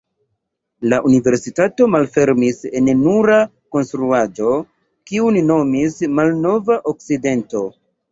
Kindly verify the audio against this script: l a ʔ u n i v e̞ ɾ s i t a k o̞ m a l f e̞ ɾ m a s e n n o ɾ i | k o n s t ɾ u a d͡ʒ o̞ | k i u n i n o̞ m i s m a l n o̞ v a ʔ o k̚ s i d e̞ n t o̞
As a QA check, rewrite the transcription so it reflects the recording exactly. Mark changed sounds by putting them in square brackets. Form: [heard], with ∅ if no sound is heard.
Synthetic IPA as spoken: l a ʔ u n i v e̞ ɾ s i t a [t] o̞ m a l f e̞ ɾ m [i] s e n n [u] ɾ [a] | k o n s t ɾ u a d͡ʒ o̞ | k i u n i n o̞ m i s m a l n o̞ v a ʔ o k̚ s i d e̞ n t o̞